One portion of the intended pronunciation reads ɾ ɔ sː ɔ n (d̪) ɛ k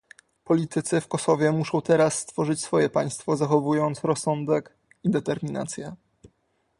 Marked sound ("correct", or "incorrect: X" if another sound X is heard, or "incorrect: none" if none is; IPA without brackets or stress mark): correct